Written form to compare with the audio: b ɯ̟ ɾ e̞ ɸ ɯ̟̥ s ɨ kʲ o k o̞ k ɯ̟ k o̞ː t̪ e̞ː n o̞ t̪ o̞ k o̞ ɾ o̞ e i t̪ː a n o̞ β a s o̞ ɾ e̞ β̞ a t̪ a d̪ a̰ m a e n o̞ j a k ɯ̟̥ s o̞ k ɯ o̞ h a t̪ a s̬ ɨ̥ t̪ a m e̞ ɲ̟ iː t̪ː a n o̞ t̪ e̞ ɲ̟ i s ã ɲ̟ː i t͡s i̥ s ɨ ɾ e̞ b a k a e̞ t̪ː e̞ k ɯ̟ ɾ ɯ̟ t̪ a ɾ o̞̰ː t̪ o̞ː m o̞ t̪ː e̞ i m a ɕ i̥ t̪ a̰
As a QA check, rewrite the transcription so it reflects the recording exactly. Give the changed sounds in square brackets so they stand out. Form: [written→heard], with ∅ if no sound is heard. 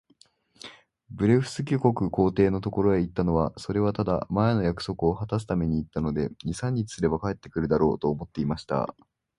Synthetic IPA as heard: b ɯ̟ ɾ e̞ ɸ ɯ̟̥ s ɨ kʲ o k o̞ k ɯ̟ k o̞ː t̪ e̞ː n o̞ t̪ o̞ k o̞ ɾ o̞ e i t̪ː a n o̞ β a s o̞ ɾ e̞ β̞ a t̪ a d̪ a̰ m a e n o̞ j a k ɯ̟̥ s o̞ k ɯ o̞ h a t̪ a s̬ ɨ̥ t̪ a m e̞ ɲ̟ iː t̪ː a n o̞ [t̪→d̪] e̞ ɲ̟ i s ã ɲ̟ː i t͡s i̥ s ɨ ɾ e̞ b a k a e̞ t̪ː e̞ k ɯ̟ ɾ ɯ̟ [t̪→d̪] a ɾ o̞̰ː t̪ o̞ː m o̞ t̪ː e̞ i m a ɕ i̥ t̪ a̰